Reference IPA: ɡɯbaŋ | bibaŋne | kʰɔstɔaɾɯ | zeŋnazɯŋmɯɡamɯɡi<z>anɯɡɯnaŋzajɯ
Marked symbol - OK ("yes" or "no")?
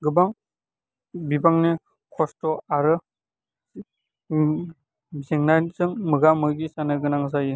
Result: no